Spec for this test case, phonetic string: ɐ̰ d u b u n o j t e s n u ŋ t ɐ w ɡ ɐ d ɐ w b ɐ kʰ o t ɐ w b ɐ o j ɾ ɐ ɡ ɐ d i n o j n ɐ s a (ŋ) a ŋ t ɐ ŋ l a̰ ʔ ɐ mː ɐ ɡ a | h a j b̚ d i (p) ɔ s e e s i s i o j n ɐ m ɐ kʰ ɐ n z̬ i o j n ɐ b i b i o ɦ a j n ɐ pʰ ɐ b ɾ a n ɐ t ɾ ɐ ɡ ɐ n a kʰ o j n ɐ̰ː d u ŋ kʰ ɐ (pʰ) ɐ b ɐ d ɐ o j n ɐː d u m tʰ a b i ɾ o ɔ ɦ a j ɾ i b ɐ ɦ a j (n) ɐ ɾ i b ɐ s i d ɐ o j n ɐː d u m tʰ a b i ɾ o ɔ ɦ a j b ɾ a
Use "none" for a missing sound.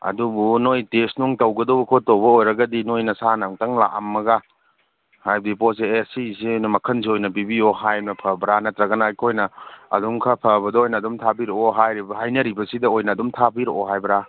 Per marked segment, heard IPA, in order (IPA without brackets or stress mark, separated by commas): n, p, pʰ, n